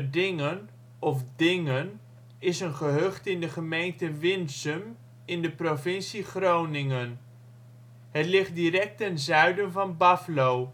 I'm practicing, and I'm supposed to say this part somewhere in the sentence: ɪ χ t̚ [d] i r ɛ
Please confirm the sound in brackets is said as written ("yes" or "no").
yes